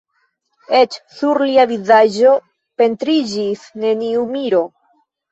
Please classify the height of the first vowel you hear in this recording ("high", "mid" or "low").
mid